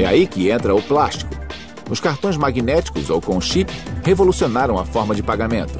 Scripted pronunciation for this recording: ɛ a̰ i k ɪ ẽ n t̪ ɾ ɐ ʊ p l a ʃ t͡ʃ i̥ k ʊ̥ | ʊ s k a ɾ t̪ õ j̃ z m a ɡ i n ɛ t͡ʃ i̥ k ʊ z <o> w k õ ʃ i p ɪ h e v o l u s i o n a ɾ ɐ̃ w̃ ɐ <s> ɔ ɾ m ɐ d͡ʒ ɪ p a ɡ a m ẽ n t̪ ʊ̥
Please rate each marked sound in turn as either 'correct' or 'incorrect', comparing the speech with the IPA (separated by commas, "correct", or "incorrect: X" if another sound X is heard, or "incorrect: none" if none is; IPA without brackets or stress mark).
correct, incorrect: f